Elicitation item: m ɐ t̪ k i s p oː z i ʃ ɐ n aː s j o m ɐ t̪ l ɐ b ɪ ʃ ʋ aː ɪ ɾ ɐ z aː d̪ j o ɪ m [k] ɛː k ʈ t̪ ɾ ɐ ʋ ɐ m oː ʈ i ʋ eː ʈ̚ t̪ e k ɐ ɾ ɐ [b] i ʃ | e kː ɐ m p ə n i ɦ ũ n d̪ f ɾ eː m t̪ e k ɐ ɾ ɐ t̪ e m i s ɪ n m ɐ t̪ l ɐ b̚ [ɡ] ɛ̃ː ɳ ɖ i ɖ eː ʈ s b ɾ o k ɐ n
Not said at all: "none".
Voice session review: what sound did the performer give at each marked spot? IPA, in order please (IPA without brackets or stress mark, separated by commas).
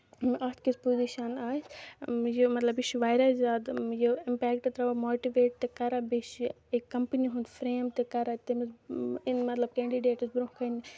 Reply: p, b, k